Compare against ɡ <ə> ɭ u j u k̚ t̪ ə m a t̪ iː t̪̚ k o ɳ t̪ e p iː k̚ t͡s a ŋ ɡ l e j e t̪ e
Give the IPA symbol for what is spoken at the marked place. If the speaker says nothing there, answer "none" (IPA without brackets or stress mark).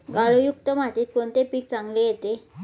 a